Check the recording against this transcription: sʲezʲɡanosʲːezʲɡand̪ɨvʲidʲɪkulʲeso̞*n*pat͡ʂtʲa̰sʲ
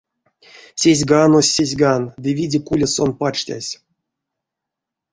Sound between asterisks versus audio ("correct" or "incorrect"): correct